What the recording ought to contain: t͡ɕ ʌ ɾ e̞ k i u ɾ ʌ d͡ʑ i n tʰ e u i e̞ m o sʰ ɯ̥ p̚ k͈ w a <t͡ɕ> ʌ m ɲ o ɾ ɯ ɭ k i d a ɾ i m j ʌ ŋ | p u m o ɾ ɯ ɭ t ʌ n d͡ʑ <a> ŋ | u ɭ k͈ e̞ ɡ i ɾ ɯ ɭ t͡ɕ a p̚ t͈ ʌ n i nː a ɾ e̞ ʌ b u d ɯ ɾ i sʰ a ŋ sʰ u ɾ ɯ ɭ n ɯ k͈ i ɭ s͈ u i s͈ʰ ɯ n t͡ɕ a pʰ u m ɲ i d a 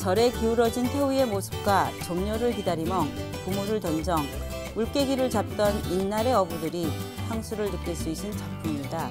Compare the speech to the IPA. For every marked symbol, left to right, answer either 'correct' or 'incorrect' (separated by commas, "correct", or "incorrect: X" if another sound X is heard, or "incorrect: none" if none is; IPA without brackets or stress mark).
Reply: correct, incorrect: ʌ